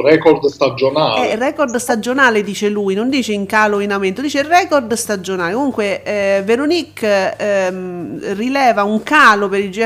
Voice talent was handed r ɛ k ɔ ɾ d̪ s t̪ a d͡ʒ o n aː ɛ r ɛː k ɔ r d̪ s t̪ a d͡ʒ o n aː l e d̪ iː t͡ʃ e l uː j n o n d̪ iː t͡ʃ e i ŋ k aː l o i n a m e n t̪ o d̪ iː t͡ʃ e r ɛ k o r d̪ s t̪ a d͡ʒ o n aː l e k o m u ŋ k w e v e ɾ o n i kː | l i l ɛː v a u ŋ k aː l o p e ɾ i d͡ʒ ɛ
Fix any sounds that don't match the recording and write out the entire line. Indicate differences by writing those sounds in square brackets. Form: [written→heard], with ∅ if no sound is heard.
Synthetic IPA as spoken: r ɛ k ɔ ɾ d̪ s t̪ a d͡ʒ o n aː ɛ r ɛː k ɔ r d̪ s t̪ a d͡ʒ o n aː l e d̪ iː t͡ʃ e l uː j n o n d̪ iː t͡ʃ e i ŋ k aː l o i n a m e n t̪ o d̪ iː t͡ʃ e r ɛ k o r d̪ s t̪ a d͡ʒ o n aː l e k o m u ŋ k w e v e ɾ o n i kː | [l→r] i l ɛː v a u ŋ k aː l o p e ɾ i d͡ʒ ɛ